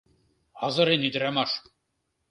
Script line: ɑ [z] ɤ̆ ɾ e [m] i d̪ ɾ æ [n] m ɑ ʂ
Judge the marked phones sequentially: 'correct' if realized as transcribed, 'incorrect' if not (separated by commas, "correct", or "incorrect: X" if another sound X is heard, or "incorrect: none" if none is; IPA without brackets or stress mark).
correct, incorrect: n, incorrect: none